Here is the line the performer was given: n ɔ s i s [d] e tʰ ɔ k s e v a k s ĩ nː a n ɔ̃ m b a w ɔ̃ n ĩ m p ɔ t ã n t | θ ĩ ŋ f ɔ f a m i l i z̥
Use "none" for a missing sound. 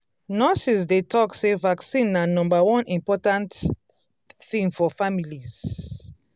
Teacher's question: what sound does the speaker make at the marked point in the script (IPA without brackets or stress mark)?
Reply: d